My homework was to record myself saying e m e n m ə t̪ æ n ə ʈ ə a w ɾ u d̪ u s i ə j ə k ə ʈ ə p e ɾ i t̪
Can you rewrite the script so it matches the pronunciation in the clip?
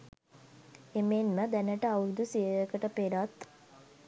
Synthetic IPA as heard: e m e n m ə d̪ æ n ə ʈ ə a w ɾ u d̪ u s i ə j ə k ə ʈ ə p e ɾ a t̪

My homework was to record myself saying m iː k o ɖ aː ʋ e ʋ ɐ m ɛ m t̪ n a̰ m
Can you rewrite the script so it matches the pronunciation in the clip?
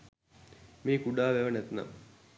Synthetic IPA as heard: m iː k u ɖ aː ʋ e ʋ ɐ n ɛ t̪ n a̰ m

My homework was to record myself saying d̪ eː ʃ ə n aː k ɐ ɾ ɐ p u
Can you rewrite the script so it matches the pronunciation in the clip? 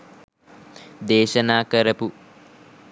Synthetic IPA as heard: d̪ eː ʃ ɐ n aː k ɐ ɾ ɐ p u

